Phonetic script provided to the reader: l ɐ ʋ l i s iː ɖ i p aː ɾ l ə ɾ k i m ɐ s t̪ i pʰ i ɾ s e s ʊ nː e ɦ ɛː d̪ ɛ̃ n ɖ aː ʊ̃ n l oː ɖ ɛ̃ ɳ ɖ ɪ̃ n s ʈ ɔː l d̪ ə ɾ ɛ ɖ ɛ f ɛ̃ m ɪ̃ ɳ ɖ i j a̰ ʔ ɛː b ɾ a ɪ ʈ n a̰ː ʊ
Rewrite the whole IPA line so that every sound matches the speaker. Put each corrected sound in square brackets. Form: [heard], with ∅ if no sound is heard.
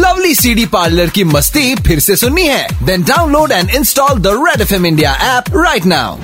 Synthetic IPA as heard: l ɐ ʋ l i s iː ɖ i p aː ɾ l ə ɾ k i m ɐ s t̪ i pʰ [ɪ] ɾ s e s ʊ nː [i] ɦ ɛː d̪ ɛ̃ n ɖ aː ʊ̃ n l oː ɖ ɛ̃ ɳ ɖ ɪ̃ n s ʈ ɔː l d̪ ə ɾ ɛ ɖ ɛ f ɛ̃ m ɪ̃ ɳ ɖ i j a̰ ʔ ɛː [p] ɾ a ɪ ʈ n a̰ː ʊ